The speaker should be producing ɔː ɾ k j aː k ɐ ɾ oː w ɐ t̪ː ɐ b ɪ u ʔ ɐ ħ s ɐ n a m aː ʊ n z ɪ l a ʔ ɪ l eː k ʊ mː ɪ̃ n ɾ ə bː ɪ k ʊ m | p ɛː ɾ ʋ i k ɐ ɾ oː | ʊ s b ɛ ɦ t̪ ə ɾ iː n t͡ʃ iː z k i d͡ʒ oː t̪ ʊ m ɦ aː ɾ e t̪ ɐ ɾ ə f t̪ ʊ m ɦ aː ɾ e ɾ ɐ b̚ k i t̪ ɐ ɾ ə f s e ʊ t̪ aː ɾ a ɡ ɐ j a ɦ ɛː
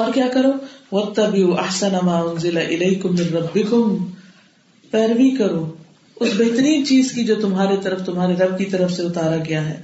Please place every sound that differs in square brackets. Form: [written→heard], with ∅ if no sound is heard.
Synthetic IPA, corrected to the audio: ɔː ɾ k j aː k ɐ ɾ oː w ɐ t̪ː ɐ b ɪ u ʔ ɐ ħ s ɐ n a m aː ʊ n z ɪ l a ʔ ɪ l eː k ʊ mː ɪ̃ n ɾ [ə→ɐ] bː ɪ k ʊ m | p ɛː ɾ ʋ i k ɐ ɾ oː | ʊ s b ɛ ɦ t̪ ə ɾ iː n t͡ʃ iː z k i d͡ʒ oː t̪ ʊ m ɦ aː ɾ e t̪ ɐ ɾ ə f t̪ ʊ m ɦ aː ɾ e ɾ ɐ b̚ k i t̪ ɐ ɾ ə f s e ʊ t̪ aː ɾ a ɡ ɐ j a ɦ ɛː